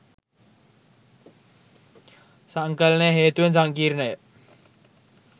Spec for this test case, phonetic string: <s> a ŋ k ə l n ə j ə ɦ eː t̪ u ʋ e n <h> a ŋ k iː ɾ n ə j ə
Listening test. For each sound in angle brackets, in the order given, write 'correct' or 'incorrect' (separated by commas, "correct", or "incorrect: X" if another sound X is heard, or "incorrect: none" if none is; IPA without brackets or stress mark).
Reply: correct, incorrect: s